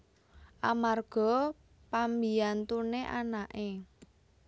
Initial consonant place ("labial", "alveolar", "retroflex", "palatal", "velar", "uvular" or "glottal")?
glottal